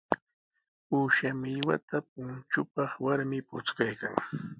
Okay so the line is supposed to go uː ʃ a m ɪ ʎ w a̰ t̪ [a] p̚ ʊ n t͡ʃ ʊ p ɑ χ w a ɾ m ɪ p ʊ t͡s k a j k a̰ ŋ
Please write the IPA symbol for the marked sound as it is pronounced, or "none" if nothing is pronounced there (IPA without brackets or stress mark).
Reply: a